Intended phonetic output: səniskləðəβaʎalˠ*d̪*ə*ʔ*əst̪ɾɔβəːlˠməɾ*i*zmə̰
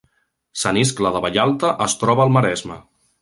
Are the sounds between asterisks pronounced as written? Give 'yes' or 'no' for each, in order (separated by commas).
no, yes, no